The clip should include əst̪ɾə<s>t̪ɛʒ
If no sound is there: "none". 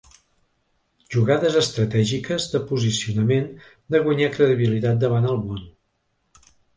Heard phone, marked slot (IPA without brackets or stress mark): none